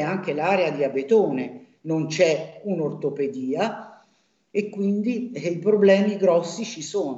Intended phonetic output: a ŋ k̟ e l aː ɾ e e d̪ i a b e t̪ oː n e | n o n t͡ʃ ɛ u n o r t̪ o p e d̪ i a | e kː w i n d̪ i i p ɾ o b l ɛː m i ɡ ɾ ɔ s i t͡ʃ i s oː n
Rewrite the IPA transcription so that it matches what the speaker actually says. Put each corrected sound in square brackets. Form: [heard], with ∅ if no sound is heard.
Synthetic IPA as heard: a ŋ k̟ e l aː ɾ e [a] d̪ i a b e t̪ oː n e | n o n t͡ʃ ɛ u n o r t̪ o p e d̪ [iː] a | e kː w i n d̪ i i p ɾ o b l ɛː m i ɡ ɾ ɔ [sː] i t͡ʃ i s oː n